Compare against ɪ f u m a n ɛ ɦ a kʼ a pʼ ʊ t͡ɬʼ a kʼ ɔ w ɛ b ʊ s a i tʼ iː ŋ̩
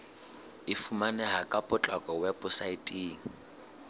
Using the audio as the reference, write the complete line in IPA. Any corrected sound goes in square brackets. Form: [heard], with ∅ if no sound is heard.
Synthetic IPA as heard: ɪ f u m a n ɛ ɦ a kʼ a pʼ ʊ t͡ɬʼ a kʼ ɔ w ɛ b ʊ s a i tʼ iː ŋ̩